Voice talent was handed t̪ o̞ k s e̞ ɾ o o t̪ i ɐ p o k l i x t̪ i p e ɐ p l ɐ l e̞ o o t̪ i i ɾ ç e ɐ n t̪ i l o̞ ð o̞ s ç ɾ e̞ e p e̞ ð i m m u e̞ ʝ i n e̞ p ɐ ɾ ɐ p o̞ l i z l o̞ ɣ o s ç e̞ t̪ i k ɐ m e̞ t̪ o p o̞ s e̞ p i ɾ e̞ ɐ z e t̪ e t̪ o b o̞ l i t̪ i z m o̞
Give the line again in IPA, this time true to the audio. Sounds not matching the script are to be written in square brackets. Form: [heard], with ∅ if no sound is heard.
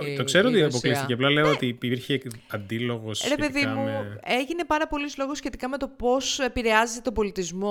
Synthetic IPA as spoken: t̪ o̞ k s e̞ ɾ o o t̪ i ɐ p o k l i [s] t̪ i [c] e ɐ p l ɐ l e̞ o o t̪ i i ɾ ç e ɐ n [d̪] i l o̞ [ɣ] o̞ s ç ɾ e̞ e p e̞ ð i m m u e̞ ʝ i n e̞ p ɐ ɾ ɐ p o̞ l i z l o̞ ɣ o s ç e̞ t̪ i k ɐ m e̞ t̪ o p o̞ s e̞ p i ɾ e̞ ɐ z e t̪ e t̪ o b o̞ l i t̪ i z m o̞